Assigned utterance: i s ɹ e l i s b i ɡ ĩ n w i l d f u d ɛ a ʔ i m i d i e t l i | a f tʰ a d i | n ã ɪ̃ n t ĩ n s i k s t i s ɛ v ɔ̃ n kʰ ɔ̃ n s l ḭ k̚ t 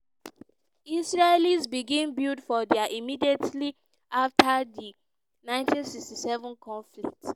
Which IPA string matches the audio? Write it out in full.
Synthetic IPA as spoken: i s ɹ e l i s b i ɡ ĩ n b i l d f ɔ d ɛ a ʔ i m i d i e t l i | a f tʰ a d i | n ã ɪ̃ n t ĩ n s i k s t i s ɛ v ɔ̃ n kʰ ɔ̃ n f l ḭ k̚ t